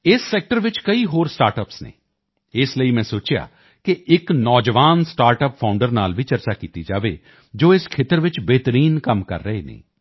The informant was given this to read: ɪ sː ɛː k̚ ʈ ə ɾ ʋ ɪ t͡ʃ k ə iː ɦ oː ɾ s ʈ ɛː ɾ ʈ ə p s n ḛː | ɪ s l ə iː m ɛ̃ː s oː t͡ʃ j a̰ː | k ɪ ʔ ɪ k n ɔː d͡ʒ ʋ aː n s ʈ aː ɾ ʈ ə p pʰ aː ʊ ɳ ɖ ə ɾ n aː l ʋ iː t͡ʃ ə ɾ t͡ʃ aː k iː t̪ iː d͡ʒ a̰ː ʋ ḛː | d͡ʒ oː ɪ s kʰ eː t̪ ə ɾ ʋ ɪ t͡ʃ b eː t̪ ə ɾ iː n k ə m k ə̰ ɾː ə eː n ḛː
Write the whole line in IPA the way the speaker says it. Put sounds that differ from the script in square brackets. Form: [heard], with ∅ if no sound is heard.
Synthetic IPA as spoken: ɪ sː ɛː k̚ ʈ ə ɾ ʋ ɪ t͡ʃ k ə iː ɦ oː ɾ s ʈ [aː] ɾ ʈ ə p s n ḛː | ɪ s l ə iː m ɛ̃ː s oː t͡ʃ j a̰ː | k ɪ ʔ ɪ k n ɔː d͡ʒ ʋ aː n s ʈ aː ɾ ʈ ə p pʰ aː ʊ ɳ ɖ ə ɾ n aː l ʋ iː t͡ʃ ə ɾ t͡ʃ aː k iː t̪ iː d͡ʒ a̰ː ʋ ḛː | d͡ʒ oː ɪ s kʰ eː t̪ ə ɾ ʋ ɪ t͡ʃ b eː t̪ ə ɾ iː n k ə m k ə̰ ɾː ə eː n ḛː